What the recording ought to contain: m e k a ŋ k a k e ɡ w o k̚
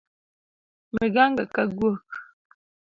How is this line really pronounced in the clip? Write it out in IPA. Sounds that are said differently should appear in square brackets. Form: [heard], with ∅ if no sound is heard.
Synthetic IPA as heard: m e [ɡ] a ŋ [ɡ] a k [a] ɡ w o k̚